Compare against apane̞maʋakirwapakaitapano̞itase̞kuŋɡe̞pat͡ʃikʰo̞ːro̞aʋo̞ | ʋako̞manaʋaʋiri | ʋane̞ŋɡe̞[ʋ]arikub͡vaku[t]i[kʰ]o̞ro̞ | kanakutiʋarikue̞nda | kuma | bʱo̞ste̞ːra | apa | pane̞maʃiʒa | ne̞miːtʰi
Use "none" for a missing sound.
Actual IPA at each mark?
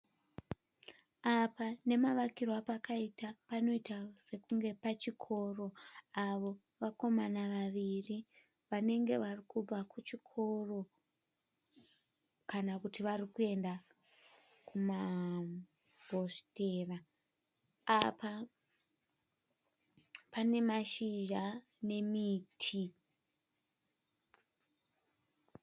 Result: ʋ, t͡ʃ, kʰ

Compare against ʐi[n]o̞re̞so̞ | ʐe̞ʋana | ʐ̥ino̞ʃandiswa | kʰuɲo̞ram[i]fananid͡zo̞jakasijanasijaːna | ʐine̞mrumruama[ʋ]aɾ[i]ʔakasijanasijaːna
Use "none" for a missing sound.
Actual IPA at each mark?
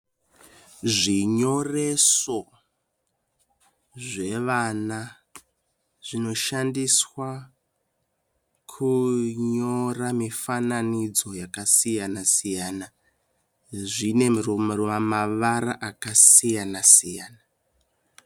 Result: ɲ, i, ʋ, a

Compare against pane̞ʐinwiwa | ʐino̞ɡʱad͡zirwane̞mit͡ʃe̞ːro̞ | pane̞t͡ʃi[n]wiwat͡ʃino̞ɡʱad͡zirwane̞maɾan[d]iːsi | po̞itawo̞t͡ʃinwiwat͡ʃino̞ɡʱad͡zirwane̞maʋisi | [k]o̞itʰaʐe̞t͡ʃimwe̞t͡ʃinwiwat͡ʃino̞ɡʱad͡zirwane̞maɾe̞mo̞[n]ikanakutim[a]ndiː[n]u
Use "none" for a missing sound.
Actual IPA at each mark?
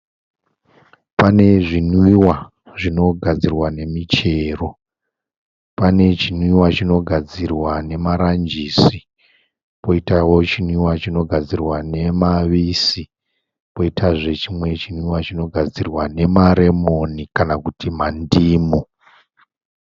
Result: n, d͡ʒ, p, n, a, m

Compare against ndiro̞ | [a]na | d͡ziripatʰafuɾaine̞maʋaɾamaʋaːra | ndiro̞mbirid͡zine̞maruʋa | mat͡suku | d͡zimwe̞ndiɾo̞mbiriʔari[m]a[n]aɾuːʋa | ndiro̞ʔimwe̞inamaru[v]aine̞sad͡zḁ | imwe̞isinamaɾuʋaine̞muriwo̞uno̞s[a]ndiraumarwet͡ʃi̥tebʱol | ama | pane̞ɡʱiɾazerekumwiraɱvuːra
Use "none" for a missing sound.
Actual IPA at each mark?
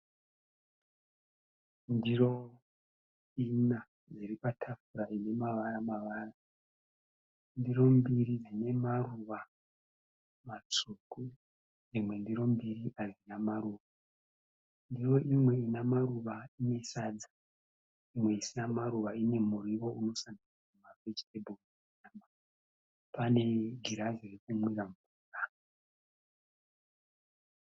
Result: i, n, m, ʋ, a

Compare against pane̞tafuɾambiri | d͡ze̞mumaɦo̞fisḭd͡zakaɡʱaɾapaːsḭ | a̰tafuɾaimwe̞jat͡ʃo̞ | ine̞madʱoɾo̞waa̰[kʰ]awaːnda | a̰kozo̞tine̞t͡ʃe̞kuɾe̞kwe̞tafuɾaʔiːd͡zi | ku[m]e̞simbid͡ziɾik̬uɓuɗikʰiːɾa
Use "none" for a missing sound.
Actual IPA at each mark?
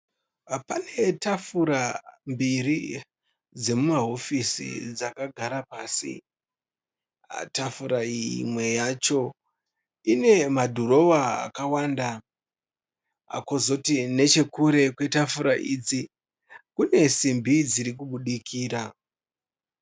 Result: k, n

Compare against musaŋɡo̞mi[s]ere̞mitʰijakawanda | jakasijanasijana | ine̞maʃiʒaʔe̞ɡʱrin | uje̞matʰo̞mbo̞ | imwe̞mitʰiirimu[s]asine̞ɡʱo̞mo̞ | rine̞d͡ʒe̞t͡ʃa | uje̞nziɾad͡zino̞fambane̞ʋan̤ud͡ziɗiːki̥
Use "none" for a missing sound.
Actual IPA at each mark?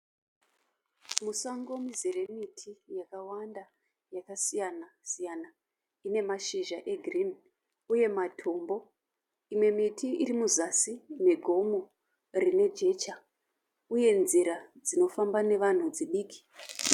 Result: z, z

